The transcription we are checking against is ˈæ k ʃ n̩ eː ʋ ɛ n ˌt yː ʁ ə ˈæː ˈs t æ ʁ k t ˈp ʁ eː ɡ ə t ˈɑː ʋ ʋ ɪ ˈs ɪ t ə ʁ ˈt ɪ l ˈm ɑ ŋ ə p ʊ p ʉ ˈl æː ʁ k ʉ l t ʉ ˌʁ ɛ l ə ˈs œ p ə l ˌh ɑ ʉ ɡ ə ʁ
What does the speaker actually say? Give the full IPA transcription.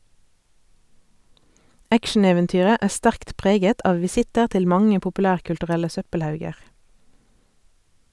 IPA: ˈæ k ʃ n̩ eː ʋ ɛ n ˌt yː ʁ ə ˈæː ˈs t æ ʁ k t ˈp ʁ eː ɡ ə t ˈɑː ʋ ʋ ɪ ˈs ɪ t ə ʁ ˈt ɪ l ˈm ɑ ŋ ə p ʊ p ʉ ˈl æː ʁ k ʉ l t ʉ ˌʁ ɛ l ə ˈs œ p ə l ˌh ɑ ʉ ɡ ə ʁ